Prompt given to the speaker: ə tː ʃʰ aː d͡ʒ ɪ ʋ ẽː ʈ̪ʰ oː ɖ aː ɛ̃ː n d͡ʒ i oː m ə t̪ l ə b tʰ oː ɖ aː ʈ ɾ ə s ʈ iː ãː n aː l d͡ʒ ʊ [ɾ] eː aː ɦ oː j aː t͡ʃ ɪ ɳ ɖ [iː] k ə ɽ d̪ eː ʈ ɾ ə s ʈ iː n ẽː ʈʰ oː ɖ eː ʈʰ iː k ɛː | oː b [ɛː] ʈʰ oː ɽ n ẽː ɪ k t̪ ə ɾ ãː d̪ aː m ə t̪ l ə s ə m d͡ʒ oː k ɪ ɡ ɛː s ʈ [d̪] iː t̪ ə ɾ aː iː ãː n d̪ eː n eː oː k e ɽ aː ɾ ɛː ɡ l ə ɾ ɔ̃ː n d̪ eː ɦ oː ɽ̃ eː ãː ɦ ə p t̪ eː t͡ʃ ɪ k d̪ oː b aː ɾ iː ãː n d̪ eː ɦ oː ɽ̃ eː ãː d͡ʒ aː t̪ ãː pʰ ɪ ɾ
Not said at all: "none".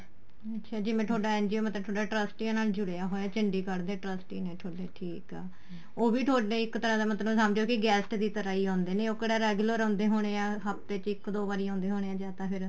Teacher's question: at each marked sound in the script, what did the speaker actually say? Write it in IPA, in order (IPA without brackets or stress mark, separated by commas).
ɽ, iː, iː, d̪